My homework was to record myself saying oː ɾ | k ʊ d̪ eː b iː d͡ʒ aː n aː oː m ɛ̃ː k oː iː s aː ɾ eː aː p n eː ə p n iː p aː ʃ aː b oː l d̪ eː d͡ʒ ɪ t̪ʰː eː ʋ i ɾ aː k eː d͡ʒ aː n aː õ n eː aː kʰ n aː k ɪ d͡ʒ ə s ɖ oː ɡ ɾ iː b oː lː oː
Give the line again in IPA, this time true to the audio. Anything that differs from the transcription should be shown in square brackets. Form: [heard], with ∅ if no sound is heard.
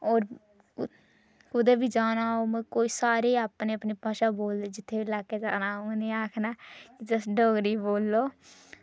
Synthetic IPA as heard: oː ɾ | k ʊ d̪ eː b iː d͡ʒ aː n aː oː m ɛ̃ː k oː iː s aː ɾ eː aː p n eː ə p n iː p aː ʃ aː b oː l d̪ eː d͡ʒ ɪ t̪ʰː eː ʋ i [l] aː k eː d͡ʒ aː n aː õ n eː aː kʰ n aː k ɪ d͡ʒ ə s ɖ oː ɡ ɾ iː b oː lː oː